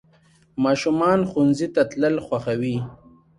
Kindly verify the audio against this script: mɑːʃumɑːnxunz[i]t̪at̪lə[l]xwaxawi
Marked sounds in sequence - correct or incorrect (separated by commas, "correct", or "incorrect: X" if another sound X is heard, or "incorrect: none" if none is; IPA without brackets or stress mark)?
correct, correct